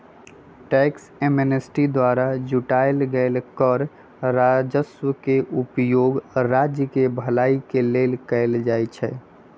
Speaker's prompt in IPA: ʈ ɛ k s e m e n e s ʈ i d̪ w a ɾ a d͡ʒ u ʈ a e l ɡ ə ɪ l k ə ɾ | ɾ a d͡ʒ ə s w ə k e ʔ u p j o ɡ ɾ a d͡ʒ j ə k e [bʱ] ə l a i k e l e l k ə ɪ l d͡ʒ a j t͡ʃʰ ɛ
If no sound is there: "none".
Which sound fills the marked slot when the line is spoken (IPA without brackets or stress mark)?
bʱ